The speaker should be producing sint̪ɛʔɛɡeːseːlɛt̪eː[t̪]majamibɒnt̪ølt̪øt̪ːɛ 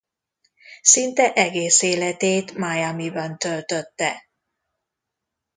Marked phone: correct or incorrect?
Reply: correct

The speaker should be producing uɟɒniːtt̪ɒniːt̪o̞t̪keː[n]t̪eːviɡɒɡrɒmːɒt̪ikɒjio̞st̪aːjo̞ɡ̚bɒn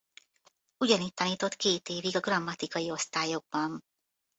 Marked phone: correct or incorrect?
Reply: incorrect: none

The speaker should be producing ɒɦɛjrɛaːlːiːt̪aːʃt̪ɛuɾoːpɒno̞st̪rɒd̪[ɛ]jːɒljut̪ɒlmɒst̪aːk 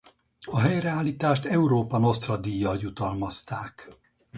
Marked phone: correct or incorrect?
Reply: incorrect: i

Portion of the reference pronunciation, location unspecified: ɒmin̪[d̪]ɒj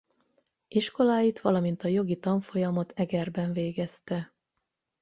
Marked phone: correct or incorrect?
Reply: incorrect: t̪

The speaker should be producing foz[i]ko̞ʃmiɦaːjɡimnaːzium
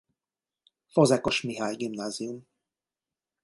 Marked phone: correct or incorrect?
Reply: incorrect: ɛ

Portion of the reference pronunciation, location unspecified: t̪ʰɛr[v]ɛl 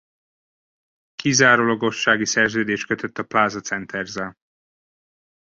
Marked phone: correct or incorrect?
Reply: incorrect: z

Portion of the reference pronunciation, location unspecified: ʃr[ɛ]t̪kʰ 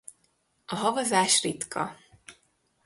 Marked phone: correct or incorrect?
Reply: incorrect: i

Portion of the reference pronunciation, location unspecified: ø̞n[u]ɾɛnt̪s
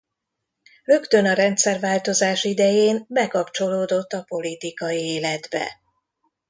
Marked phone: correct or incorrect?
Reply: incorrect: ɒ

